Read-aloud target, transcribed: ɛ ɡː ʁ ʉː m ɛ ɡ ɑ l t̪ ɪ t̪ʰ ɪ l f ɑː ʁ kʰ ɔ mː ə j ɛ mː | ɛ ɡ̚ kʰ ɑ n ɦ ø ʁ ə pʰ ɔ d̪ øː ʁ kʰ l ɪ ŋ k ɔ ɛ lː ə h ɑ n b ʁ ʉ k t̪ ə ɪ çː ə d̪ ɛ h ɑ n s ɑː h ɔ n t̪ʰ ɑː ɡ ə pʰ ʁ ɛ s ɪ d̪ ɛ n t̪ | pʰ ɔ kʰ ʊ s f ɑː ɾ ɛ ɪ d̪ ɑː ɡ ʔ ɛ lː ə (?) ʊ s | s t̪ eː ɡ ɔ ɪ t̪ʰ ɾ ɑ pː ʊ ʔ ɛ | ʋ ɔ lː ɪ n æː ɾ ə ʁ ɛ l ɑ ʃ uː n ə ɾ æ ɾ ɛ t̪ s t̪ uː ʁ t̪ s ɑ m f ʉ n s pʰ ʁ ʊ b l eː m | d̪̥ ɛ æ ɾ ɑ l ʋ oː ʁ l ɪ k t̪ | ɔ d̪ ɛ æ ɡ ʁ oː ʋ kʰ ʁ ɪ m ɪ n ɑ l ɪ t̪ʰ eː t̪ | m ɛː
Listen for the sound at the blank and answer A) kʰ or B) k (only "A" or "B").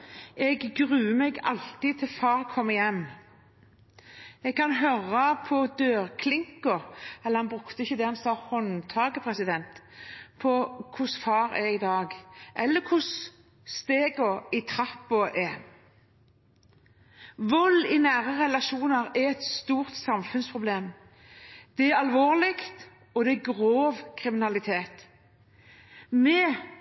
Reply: A